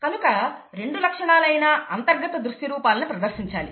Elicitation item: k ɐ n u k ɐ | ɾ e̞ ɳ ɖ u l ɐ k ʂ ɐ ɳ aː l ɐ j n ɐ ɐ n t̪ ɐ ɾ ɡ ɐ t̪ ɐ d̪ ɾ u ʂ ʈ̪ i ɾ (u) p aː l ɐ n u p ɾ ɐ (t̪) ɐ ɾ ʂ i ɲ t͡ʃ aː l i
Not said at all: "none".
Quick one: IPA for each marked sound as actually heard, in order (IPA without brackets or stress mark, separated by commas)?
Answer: uː, d̪